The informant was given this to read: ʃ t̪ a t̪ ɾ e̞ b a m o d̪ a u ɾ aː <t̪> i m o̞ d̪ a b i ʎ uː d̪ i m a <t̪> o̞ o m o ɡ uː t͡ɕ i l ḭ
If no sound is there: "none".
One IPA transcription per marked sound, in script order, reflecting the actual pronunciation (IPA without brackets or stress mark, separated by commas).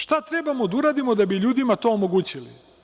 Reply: d̪, t̪